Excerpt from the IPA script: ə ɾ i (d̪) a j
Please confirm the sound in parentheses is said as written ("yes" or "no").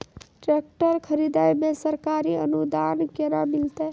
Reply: yes